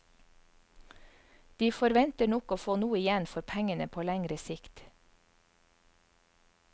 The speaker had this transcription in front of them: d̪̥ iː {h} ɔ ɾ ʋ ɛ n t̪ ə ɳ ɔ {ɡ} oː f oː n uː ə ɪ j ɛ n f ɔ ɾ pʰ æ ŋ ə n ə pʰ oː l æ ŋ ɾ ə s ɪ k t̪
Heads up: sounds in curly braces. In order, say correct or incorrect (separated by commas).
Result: incorrect, incorrect